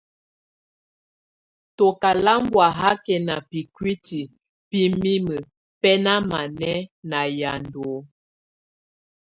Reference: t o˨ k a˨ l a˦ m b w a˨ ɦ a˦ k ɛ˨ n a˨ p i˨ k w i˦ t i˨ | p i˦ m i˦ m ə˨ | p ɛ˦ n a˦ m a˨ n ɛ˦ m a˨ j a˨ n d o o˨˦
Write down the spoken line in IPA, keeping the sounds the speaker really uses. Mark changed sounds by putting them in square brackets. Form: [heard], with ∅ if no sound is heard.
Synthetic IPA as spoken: t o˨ k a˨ l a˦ m b w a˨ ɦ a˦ k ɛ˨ n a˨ p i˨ k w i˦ t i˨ | p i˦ m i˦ m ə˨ | p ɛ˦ n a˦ m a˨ n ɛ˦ [n] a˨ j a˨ n d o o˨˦

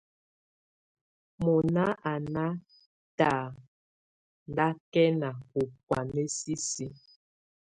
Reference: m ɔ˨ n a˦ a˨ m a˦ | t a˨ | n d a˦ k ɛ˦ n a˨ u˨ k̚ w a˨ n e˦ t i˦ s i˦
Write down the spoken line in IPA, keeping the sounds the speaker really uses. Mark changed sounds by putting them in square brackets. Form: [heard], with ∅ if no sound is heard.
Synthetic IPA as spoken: m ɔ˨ n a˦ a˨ [n] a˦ | t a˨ | n d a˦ k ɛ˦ n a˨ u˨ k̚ w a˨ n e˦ [s] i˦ s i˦

